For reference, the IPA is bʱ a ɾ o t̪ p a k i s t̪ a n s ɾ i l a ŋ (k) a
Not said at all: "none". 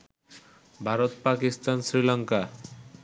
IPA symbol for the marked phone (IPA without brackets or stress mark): k